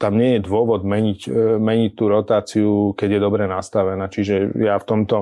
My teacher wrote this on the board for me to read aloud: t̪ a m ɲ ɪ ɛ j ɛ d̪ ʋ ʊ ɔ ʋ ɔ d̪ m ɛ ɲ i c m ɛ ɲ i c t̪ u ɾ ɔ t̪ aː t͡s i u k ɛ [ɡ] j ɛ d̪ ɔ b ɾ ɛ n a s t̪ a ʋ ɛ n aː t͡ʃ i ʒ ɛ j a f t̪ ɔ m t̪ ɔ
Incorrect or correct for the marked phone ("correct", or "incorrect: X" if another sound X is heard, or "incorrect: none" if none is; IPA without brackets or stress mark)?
incorrect: ɟ